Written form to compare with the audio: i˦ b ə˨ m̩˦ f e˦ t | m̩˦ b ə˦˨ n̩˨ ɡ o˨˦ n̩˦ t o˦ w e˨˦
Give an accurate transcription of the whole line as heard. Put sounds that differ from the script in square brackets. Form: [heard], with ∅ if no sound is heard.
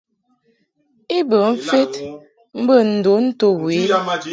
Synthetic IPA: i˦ b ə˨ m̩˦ f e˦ t | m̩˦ b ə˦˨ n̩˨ [d] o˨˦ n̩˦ t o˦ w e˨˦